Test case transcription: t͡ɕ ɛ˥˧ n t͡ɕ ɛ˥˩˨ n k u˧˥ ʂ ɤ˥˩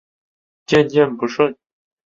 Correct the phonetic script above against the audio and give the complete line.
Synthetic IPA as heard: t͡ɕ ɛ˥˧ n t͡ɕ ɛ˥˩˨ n p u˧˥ ʂ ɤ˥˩